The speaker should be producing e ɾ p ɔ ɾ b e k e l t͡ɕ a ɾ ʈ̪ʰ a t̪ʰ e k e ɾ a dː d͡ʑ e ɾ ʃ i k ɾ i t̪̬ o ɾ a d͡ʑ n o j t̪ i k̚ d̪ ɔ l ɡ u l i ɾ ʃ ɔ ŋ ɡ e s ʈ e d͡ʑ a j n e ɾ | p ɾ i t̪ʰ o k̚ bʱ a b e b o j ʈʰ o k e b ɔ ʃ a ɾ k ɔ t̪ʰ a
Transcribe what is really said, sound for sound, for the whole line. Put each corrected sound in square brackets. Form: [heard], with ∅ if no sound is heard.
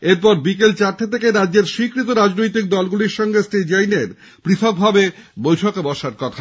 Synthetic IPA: e ɾ p ɔ ɾ b [i] k e l t͡ɕ a ɾ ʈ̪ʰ [e] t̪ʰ e k e ɾ a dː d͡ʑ e ɾ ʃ i k ɾ i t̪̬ o ɾ a d͡ʑ n o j t̪ i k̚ d̪ ɔ l ɡ u l i ɾ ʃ ɔ ŋ ɡ e s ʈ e d͡ʑ a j n e ɾ | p ɾ i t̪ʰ o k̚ bʱ a b e b o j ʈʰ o k e b ɔ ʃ a ɾ k ɔ t̪ʰ a